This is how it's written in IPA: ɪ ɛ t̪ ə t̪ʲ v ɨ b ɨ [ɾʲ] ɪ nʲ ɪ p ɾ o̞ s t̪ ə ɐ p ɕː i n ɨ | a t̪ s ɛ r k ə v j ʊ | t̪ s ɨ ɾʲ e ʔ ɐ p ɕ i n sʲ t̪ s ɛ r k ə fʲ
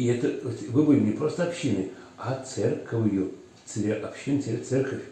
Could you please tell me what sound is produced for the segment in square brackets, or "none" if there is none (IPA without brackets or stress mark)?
lʲ